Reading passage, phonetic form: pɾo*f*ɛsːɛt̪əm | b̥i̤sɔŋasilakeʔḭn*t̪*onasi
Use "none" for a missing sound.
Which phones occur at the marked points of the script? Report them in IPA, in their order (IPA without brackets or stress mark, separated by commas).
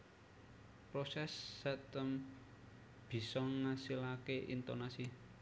s, t̪